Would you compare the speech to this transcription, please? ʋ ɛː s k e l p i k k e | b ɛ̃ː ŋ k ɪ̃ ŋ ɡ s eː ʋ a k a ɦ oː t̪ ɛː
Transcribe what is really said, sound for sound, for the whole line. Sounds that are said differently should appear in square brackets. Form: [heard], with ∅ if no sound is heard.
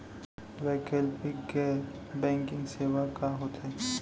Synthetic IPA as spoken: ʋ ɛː [∅] k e l p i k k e | b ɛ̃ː ŋ k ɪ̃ ŋ ɡ s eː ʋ a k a ɦ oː t̪ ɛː